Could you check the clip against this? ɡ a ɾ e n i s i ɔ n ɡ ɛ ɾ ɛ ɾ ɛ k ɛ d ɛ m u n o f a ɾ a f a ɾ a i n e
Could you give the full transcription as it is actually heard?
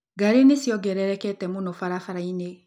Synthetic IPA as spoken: ɡ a ɾ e n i s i ɔ ɡ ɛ ɾ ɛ ɾ ɛ k ɛ t ɛ m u n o f a ɾ a f a ɾ a i n e